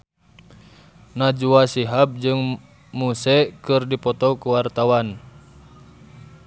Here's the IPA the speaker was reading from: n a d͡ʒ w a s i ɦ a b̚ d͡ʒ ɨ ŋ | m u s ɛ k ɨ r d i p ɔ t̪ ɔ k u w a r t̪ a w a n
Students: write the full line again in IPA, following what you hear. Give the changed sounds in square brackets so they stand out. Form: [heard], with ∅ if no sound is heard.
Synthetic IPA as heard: n a d͡ʒ [u] a s i ɦ a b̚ d͡ʒ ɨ ŋ | m u s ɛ k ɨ r d i p ɔ t̪ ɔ k u w a r t̪ a w a n